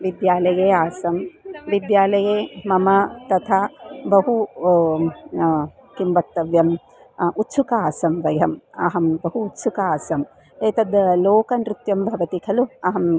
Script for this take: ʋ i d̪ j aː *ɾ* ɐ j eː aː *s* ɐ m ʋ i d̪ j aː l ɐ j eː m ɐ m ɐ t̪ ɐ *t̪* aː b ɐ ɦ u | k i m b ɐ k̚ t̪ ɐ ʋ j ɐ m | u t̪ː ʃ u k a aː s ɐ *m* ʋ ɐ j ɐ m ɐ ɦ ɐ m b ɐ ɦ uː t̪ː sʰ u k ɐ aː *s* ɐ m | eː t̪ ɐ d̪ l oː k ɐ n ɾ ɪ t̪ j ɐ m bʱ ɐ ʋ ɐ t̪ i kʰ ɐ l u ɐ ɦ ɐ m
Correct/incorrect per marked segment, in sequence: incorrect: l, correct, incorrect: t̪ʰ, correct, correct

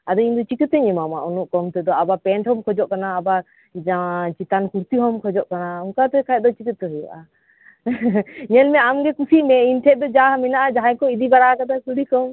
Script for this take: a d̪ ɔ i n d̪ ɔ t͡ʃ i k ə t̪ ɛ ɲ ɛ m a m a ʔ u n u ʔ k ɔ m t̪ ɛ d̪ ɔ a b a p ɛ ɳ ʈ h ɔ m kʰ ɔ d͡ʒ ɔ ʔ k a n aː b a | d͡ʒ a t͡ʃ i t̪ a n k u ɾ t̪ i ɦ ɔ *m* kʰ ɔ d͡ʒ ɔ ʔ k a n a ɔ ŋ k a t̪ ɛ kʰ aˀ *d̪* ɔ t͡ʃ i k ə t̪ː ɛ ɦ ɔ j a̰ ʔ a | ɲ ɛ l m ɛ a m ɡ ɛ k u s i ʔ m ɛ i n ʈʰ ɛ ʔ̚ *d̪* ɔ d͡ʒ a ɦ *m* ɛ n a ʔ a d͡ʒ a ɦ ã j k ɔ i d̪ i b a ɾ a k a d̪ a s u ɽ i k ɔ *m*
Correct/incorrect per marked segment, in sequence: correct, correct, correct, correct, correct

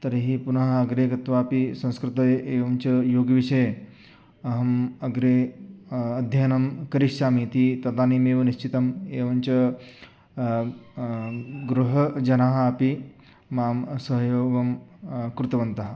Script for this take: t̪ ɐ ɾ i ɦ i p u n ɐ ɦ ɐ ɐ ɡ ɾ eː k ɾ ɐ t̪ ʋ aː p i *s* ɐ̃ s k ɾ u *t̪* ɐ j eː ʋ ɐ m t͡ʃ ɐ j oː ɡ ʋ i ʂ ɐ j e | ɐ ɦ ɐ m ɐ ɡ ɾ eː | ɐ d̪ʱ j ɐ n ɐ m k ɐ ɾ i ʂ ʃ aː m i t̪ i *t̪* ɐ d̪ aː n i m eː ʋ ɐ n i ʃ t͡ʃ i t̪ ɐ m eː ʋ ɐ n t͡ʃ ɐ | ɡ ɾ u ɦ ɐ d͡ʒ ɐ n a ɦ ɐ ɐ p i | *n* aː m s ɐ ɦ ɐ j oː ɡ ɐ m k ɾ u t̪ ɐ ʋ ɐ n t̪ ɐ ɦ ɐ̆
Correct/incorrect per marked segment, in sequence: correct, correct, correct, incorrect: m

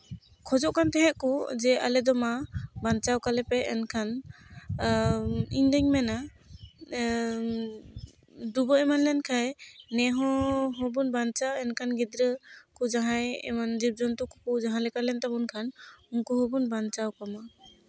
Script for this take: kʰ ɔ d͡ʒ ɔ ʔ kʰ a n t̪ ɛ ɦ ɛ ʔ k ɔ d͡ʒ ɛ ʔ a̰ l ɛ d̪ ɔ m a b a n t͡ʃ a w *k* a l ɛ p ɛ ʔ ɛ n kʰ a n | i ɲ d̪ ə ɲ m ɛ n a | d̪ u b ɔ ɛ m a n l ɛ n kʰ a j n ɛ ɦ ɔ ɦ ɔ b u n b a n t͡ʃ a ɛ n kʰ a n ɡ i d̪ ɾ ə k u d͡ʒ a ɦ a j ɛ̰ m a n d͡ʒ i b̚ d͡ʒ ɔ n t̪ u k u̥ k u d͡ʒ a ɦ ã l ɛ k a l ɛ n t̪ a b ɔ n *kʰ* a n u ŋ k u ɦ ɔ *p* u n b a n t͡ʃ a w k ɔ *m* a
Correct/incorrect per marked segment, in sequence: correct, correct, incorrect: b, correct

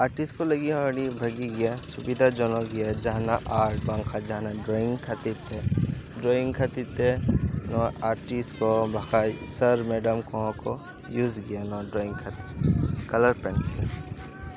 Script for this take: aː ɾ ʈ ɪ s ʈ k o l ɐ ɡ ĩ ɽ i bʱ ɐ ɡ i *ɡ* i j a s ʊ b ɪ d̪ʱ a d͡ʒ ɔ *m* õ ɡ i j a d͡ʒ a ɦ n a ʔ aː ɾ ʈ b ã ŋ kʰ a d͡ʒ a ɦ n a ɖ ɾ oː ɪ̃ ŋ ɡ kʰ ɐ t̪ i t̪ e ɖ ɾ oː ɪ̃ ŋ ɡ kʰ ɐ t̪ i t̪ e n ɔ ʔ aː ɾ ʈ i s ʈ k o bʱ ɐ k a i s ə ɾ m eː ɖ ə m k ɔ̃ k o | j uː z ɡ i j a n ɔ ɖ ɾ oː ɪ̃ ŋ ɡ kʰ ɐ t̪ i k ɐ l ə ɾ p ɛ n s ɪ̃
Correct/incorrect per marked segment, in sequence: correct, incorrect: n

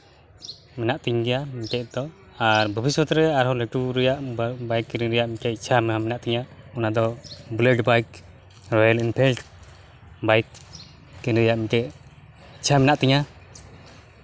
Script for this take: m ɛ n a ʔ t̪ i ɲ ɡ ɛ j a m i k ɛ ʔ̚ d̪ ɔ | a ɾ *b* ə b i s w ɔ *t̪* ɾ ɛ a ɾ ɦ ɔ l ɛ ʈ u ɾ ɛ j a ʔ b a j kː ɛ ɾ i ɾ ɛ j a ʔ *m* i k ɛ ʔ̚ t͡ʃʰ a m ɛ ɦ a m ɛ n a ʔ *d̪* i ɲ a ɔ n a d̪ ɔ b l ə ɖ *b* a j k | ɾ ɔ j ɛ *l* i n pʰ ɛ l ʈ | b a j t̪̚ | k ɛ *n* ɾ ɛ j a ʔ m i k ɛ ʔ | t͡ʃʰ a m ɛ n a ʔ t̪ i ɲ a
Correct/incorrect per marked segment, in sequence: correct, correct, correct, incorrect: t̪, correct, correct, correct

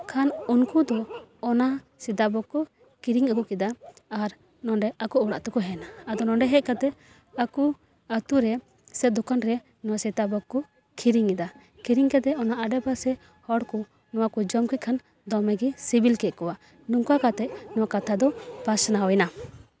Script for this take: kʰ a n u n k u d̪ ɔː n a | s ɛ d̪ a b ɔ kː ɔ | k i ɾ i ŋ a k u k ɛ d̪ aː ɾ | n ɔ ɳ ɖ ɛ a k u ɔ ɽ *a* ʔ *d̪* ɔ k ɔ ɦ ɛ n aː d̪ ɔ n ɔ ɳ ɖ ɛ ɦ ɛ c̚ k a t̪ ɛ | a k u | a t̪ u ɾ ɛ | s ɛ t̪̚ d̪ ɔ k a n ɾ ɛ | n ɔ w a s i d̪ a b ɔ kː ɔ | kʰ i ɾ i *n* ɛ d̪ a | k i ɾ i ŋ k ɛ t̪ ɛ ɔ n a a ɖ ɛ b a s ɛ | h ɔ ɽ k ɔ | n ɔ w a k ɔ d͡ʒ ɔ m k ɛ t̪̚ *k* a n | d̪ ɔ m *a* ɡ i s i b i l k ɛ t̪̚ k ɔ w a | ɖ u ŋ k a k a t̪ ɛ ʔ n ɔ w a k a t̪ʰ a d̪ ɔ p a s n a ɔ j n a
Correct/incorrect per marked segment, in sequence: correct, incorrect: t̪, incorrect: ŋ, incorrect: kʰ, incorrect: ɛ

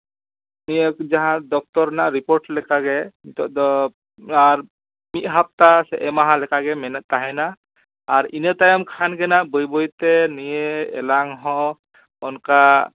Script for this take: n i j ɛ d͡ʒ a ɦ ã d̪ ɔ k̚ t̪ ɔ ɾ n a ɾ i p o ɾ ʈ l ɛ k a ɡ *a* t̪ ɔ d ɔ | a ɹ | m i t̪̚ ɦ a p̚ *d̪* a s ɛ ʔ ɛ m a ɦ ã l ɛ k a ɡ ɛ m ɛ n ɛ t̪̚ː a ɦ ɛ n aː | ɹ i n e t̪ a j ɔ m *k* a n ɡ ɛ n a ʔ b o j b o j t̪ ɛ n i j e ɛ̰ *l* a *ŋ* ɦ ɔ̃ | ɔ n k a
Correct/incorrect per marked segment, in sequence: incorrect: ɛ, incorrect: t̪, incorrect: kʰ, correct, correct

